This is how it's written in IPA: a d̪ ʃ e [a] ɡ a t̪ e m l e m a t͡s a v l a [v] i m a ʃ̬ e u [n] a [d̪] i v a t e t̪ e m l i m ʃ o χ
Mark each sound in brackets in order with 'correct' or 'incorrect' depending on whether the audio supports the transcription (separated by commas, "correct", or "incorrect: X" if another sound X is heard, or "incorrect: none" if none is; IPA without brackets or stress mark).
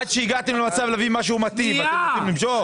incorrect: i, correct, incorrect: m, incorrect: t̪